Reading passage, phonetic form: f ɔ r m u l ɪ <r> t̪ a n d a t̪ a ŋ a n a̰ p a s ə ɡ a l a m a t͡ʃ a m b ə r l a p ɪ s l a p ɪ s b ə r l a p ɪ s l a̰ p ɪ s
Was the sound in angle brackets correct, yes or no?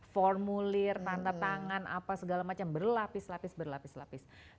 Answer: yes